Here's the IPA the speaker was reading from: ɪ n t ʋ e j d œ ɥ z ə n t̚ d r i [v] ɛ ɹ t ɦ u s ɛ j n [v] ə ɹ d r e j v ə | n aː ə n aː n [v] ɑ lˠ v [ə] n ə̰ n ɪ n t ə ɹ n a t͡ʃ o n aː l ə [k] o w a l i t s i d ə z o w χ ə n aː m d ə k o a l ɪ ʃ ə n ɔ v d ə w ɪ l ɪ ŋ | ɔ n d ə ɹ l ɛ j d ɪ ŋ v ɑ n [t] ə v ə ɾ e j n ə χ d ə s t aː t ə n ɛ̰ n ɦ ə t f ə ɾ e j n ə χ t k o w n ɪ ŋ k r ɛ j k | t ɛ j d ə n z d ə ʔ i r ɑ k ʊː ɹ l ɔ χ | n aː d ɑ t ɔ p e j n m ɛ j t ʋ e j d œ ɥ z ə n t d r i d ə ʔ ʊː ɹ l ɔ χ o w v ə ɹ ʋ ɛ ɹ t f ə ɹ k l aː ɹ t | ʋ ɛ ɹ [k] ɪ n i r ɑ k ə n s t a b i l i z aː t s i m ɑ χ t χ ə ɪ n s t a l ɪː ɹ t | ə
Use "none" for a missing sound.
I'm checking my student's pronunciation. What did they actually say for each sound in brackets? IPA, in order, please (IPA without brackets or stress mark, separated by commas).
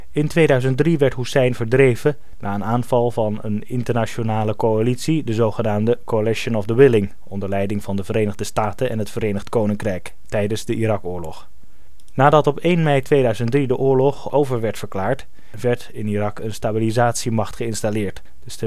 ʋ, v, v, ɑ, k, d, t